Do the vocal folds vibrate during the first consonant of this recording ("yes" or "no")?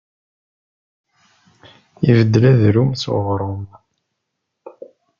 yes